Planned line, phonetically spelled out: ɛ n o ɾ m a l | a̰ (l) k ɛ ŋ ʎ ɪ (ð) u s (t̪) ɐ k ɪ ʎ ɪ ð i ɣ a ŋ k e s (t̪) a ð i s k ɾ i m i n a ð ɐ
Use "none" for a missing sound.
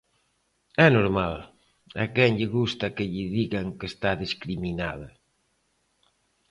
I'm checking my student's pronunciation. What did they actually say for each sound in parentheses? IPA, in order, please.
none, ɣ, t̪, t̪

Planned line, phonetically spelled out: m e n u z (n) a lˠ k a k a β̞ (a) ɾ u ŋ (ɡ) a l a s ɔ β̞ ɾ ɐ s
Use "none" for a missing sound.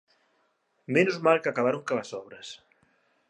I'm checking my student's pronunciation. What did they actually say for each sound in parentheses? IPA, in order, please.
m, a, k

